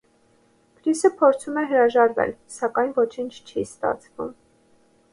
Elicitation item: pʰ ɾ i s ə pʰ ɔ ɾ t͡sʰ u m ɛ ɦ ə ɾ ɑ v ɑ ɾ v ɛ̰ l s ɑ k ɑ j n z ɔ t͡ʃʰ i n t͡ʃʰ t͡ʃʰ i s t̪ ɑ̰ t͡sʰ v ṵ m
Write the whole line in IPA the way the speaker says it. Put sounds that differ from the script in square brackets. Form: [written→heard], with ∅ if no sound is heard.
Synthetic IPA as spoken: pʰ ɾ i s ə pʰ ɔ ɾ t͡sʰ u m ɛ ɦ ə ɾ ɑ [v→ʒ] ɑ ɾ v ɛ̰ l s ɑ k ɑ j n [z→v] ɔ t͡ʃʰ i n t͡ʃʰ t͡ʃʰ i s t̪ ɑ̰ t͡sʰ v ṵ m